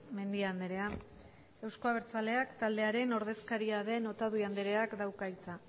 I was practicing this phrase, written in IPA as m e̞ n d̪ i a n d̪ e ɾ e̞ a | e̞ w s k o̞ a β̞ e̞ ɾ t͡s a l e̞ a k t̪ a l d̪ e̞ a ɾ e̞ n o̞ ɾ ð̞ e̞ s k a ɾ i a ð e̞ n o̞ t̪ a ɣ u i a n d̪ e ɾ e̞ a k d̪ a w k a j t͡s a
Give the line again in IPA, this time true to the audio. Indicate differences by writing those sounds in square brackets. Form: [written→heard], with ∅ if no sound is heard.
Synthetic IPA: m e̞ n d̪ i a n d̪ e ɾ e̞ a | e̞ w s k o̞ a β̞ e̞ ɾ t͡s a l e̞ a k t̪ a l d̪ e̞ a ɾ e̞ n o̞ ɾ ð̞ e̞ s k a ɾ i a ð e̞ n o̞ t̪ a [ɣ→ð] u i a n d̪ e ɾ e̞ a k d̪ a w k a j t͡s a